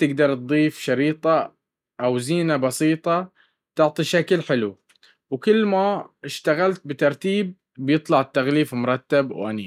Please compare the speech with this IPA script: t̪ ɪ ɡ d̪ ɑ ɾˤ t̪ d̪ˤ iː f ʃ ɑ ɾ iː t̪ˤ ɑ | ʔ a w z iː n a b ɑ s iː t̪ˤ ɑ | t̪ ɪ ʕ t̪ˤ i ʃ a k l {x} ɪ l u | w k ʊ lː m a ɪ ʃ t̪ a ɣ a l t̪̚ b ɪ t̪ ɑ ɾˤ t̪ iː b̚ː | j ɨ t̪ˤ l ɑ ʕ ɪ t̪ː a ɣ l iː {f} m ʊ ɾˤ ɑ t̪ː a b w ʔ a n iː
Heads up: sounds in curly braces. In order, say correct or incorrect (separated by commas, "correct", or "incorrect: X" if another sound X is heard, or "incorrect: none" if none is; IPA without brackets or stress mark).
incorrect: ħ, correct